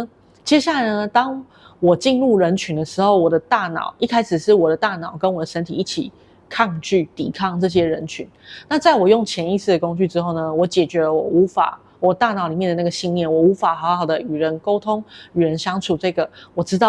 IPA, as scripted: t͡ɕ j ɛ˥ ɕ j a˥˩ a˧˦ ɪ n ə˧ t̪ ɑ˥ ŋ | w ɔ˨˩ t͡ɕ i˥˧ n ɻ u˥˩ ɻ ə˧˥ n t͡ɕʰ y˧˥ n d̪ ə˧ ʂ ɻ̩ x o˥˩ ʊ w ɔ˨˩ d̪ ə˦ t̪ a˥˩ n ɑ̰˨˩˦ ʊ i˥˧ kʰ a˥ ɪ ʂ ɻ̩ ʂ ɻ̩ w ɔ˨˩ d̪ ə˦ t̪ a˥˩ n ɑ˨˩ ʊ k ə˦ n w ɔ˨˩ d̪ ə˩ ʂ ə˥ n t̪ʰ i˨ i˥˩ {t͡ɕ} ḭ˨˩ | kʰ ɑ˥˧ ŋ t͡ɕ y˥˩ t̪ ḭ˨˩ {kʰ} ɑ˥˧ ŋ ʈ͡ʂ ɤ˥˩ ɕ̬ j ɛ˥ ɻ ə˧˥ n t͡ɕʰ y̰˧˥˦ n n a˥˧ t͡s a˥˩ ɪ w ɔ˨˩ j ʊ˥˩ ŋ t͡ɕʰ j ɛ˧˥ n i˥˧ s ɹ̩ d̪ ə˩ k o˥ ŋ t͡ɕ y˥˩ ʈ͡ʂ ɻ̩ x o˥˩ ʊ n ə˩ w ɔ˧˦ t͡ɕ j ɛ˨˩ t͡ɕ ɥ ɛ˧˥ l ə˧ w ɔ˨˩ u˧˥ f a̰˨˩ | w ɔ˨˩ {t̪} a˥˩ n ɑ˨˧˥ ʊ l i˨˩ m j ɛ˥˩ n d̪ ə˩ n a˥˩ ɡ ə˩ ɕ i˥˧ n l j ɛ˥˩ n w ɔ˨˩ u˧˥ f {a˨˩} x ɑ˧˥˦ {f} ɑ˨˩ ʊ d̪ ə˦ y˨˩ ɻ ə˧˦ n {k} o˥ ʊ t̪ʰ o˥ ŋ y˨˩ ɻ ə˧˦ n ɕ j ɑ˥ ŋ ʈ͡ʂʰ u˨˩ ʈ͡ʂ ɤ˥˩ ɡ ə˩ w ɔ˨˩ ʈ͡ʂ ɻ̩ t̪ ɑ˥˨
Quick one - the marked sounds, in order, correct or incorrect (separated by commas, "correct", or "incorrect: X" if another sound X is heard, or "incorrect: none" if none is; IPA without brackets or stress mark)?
incorrect: t͡ɕʰ, correct, correct, correct, incorrect: x, correct